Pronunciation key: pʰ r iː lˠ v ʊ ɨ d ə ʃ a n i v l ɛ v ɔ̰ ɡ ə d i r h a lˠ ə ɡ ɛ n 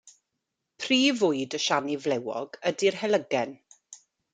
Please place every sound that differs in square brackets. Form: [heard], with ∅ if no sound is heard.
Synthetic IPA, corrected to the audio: pʰ r iː [∅] v ʊ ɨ d ə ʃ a n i v l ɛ [w] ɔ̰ ɡ ə d i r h [ɛ] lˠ ə ɡ ɛ n